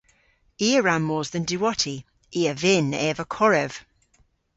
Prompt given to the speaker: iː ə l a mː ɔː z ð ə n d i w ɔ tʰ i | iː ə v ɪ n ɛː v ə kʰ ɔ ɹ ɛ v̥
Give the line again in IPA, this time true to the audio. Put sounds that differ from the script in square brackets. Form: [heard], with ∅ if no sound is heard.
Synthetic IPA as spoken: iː ə [ɹ] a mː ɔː z ð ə n d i w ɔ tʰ i | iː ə v ɪ n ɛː v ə kʰ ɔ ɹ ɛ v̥